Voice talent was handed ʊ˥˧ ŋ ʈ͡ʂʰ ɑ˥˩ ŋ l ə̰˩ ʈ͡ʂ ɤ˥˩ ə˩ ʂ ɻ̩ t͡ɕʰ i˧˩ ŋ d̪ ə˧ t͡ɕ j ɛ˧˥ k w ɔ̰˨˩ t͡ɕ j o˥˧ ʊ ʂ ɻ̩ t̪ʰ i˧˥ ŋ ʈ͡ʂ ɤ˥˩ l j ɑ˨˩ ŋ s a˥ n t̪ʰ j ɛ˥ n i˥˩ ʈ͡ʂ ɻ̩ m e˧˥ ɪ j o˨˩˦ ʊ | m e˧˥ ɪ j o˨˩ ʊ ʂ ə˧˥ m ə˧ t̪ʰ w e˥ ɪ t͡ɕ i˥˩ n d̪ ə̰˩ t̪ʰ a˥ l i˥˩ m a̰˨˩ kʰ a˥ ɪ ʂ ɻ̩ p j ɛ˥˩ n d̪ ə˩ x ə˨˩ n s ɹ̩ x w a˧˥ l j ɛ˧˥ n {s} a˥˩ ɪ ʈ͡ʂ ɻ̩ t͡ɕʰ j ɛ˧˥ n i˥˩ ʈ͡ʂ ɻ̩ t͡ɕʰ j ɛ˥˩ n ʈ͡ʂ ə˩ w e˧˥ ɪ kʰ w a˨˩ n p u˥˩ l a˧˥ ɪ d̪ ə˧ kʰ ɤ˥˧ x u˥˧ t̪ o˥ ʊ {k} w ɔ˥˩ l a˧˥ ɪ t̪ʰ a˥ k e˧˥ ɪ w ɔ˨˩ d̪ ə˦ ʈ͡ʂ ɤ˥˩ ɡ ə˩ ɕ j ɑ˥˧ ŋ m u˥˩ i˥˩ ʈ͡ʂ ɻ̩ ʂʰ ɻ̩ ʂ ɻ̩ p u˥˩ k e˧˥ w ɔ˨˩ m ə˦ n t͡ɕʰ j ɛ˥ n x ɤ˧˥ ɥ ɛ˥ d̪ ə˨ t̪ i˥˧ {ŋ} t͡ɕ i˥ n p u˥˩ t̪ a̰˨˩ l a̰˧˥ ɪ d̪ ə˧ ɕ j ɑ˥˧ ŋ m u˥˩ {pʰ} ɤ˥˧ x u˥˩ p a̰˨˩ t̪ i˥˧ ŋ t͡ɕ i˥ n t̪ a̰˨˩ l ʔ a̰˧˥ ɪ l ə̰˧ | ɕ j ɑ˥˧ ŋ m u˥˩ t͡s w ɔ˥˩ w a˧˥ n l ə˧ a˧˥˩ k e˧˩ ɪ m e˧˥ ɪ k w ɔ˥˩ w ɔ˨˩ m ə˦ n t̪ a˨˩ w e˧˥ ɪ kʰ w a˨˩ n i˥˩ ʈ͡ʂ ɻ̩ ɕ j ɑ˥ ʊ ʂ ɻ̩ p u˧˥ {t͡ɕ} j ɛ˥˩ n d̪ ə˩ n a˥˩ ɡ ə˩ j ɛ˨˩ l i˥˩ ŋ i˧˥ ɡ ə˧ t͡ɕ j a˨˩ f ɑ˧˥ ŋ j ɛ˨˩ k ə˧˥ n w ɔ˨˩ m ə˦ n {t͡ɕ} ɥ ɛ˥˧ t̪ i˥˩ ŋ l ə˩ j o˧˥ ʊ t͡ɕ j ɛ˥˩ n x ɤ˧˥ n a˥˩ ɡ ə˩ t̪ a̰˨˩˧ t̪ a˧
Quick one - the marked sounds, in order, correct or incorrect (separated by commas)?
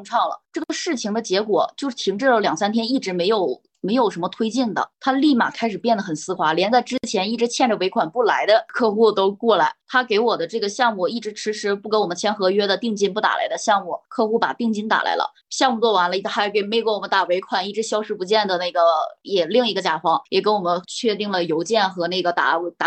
incorrect, correct, correct, incorrect, correct, incorrect